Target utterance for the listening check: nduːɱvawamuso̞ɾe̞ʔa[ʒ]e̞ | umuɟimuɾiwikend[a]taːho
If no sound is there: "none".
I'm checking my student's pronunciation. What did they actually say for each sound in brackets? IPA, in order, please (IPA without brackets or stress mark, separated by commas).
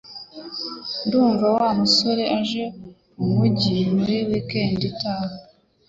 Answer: ʒ, i